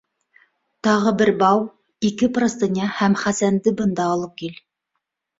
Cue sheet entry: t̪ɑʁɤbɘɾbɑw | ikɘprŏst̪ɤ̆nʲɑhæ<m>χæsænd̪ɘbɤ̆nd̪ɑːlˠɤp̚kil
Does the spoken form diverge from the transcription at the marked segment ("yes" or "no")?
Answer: no